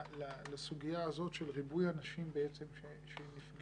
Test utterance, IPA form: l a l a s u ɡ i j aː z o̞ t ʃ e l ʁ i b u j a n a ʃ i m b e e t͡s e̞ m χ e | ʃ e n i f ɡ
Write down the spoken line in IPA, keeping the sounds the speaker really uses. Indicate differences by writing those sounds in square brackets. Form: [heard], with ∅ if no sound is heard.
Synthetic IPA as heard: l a l a s u ɡ i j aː z o̞ t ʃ e l ʁ i b u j a n a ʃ i m b e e t͡s e̞ m [ʃ] e | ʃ e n i f ɡ